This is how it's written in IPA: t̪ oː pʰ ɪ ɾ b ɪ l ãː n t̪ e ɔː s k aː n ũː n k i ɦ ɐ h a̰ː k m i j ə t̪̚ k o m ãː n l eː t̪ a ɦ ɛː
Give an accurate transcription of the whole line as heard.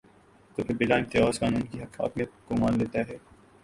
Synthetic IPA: t̪ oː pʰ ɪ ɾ b ɪ l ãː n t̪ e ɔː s k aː n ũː n k i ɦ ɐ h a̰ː k m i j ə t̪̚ k o m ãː n l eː t̪ a ɦ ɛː